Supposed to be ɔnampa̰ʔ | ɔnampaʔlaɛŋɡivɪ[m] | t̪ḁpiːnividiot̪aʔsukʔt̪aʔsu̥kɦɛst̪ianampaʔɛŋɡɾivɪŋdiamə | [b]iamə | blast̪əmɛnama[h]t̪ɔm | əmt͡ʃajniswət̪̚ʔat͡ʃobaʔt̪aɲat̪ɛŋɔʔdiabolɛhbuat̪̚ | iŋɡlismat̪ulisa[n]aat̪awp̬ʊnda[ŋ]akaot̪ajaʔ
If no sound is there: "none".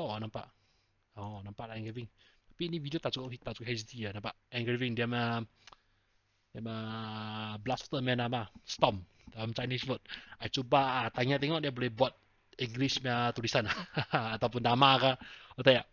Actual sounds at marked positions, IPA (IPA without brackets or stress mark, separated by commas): ŋ, d, s, n, m